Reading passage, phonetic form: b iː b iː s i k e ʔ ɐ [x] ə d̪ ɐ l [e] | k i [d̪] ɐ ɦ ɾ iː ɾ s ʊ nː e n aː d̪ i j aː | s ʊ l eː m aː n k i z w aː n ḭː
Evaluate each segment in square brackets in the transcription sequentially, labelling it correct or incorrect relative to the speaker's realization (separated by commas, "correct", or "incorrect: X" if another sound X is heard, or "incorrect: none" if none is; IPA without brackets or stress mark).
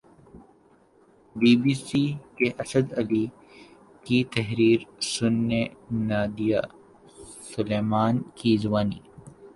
incorrect: s, incorrect: i, incorrect: t̪